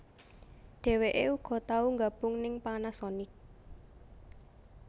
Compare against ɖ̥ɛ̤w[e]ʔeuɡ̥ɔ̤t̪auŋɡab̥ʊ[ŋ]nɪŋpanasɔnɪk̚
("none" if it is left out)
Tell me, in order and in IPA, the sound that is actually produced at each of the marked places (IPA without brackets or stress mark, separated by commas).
e, ŋ